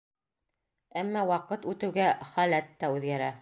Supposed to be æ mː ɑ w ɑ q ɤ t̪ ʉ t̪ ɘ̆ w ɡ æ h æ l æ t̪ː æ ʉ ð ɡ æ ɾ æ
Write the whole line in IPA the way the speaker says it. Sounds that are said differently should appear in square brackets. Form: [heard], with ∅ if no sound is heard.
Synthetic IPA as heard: æ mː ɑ w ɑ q ɤ t̪ ʉ t̪ ɘ̆ w ɡ æ [χ] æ l æ t̪ː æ ʉ ð ɡ æ ɾ æ